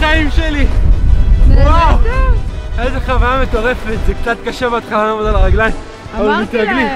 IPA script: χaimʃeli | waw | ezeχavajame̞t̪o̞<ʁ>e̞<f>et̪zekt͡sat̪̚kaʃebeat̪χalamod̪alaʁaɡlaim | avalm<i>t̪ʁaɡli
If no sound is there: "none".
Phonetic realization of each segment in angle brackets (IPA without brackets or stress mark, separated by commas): ʁ, f, i